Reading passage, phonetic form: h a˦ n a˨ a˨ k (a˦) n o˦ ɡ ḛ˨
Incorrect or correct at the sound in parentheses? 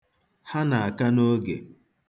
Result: correct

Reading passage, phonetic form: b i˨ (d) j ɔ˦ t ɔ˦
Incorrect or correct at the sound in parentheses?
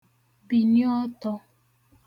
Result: incorrect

